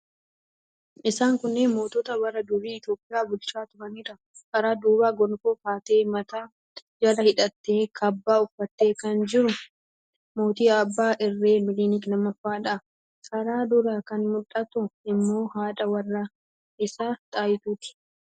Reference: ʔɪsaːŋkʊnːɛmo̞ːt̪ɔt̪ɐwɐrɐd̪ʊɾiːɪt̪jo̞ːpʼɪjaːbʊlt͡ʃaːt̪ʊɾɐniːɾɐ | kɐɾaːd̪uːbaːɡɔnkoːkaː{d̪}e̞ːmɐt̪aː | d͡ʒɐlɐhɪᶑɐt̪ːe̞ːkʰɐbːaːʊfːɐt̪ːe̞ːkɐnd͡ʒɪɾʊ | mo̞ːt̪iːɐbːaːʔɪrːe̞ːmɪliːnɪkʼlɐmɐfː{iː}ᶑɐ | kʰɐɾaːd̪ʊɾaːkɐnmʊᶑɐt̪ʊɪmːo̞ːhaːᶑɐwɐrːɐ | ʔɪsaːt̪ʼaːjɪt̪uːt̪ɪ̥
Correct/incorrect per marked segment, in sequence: incorrect: t̪, incorrect: aː

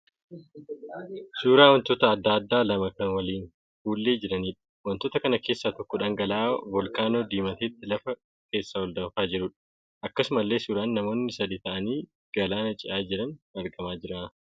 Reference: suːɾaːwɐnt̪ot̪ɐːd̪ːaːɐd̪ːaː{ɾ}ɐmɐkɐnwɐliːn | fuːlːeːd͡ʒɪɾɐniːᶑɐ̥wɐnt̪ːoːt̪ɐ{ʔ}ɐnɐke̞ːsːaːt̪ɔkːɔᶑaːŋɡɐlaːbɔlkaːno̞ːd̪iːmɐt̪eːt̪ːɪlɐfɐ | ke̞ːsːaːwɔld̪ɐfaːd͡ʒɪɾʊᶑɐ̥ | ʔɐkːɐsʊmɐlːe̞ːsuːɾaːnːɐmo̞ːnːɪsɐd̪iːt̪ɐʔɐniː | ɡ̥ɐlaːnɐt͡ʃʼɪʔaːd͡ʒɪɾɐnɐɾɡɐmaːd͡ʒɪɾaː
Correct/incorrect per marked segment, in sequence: incorrect: l, incorrect: k

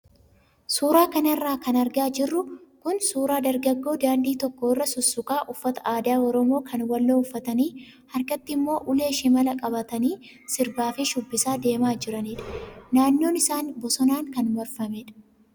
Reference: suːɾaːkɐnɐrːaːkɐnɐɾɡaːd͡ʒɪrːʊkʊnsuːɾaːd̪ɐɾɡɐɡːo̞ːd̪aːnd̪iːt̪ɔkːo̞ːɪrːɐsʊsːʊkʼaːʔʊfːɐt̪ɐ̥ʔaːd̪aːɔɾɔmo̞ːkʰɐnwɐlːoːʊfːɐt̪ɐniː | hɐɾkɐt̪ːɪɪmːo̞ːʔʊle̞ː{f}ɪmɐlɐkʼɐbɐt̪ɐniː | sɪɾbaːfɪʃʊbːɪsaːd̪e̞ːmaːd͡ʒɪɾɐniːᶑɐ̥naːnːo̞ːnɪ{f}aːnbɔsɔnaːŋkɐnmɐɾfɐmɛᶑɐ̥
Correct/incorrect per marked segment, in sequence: incorrect: ʃ, incorrect: s

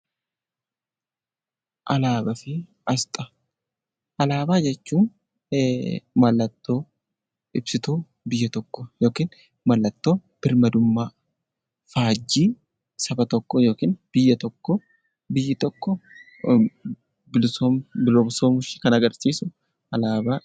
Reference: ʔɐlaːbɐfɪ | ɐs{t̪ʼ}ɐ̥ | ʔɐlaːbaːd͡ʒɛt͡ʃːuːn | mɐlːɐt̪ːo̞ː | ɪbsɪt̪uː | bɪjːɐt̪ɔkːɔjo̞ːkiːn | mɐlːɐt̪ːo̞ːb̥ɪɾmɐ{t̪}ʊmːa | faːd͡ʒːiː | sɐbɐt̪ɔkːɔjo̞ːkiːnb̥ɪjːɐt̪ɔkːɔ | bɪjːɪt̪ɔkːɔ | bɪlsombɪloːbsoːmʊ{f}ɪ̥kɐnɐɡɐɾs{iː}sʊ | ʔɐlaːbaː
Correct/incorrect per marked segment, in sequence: correct, incorrect: d̪, incorrect: ʃ, correct

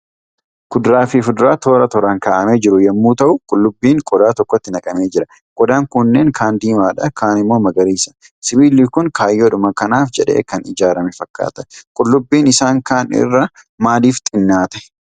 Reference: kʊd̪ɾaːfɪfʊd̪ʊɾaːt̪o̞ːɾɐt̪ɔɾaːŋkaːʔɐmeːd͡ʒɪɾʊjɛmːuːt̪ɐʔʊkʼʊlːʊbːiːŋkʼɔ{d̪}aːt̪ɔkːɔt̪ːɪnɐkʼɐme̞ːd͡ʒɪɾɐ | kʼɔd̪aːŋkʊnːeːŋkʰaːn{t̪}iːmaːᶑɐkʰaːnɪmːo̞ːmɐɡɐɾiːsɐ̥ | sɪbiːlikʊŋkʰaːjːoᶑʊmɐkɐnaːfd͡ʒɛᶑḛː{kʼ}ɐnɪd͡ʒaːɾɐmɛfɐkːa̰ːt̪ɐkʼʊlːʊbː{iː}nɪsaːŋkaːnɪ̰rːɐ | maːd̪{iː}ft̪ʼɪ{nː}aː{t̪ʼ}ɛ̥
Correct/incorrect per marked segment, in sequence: correct, incorrect: d̪, incorrect: k, correct, correct, correct, incorrect: t̪

